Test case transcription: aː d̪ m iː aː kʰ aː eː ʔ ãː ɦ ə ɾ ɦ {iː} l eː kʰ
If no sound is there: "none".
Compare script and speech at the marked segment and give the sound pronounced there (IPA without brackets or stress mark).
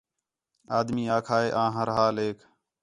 aː